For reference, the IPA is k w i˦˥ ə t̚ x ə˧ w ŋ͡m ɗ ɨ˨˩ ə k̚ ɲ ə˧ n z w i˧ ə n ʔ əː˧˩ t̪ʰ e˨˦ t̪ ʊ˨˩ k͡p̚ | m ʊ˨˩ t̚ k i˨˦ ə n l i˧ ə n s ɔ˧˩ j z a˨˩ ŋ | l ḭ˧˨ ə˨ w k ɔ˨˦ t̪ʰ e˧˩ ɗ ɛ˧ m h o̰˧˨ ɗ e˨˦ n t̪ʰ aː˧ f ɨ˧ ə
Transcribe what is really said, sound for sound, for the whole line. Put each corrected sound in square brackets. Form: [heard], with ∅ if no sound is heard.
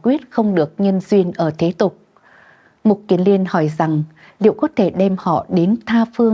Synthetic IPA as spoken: k w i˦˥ ə t̚ x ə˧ w ŋ͡m ɗ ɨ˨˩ ə k̚ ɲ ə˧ n z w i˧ ə n ʔ əː˧˩ t̪ʰ e˨˦ t̪ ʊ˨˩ k͡p̚ | m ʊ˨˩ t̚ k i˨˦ ə n l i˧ ə n [h] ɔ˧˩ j z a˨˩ ŋ | l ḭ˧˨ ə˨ w k ɔ˨˦ t̪ʰ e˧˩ ɗ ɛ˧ m h [ɔ̰˧˨] ɗ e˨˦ n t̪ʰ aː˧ f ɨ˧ ə